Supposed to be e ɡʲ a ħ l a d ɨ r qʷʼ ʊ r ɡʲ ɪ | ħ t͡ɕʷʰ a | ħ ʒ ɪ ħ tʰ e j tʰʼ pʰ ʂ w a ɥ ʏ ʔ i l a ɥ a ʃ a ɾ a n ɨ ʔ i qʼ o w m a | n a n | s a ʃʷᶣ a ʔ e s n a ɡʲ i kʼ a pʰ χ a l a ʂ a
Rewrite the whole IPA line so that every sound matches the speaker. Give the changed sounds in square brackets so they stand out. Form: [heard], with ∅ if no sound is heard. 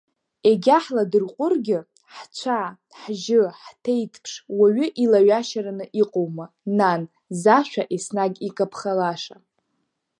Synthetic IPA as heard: e ɡʲ a ħ l a d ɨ r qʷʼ ʊ r ɡʲ ɪ | ħ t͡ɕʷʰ a | ħ ʒ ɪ ħ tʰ e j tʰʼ pʰ ʂ w a ɥ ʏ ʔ i l a ɥ a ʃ a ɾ a n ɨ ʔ i qʼ o w m a | n a n | [z] a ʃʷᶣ a ʔ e s n a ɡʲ i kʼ a pʰ χ a l a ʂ a